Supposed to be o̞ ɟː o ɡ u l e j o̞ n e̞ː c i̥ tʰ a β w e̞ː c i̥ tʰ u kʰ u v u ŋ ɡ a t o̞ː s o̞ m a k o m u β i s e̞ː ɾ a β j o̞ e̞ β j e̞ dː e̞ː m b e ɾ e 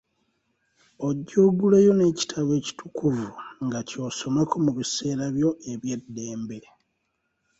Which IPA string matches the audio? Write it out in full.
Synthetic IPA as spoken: o̞ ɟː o ɡ u l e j o̞ n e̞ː c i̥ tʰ a β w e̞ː c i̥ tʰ u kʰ u v u ŋ ɡ a c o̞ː s o̞ m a k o m u β i s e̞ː ɾ a β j o̞ e̞ β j e̞ dː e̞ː m b e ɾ e